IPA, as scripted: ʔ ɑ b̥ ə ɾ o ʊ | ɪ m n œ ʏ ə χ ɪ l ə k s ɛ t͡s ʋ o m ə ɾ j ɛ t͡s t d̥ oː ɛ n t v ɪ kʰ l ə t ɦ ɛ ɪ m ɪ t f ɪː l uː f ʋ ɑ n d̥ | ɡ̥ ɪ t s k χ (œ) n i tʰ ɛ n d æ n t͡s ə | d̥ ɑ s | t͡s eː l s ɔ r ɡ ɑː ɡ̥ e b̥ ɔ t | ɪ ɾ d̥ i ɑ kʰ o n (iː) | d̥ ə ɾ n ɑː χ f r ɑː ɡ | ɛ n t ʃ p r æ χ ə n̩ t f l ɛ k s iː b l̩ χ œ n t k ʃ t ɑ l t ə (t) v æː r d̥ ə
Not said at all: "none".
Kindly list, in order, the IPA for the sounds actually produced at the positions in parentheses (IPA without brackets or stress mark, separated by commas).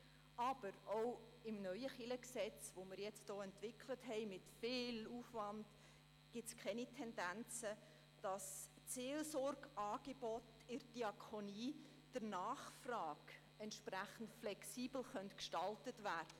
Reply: ɛ, iː, t